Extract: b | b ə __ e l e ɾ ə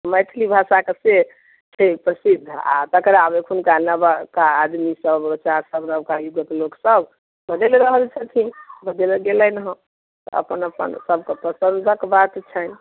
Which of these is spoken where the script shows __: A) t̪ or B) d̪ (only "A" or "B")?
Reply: B